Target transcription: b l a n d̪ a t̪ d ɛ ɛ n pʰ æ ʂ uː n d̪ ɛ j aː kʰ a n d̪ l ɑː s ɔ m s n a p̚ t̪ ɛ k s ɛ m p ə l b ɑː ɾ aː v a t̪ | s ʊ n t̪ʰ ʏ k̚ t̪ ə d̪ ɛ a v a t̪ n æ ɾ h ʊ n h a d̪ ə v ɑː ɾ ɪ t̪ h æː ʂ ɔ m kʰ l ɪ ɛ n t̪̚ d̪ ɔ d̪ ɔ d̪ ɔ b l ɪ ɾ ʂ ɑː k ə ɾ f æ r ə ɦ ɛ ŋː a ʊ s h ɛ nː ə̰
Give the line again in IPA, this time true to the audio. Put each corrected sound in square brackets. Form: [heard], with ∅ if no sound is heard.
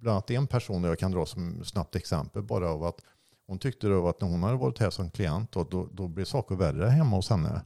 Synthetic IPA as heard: b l a n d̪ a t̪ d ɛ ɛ n pʰ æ ʂ uː n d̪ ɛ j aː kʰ a n d̪ [ɾ] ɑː s ɔ m s n a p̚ t̪ ɛ k s ɛ m p ə l b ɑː ɾ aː v a t̪ | [h] ʊ n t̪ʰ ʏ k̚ t̪ ə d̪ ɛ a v a t̪ n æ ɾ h ʊ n h a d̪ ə v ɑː ɾ ɪ t̪ h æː ʂ ɔ m kʰ l ɪ ɛ n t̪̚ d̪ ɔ d̪ ɔ d̪ ɔ b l ɪ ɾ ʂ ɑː k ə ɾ [v] æ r ə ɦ ɛ [mː] a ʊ s h ɛ nː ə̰